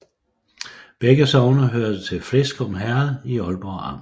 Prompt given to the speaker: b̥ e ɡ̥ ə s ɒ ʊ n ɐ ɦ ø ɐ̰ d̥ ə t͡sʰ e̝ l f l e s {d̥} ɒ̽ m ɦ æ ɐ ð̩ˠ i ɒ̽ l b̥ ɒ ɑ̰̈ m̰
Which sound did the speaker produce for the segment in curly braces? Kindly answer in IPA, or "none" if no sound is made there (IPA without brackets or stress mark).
ɡ̥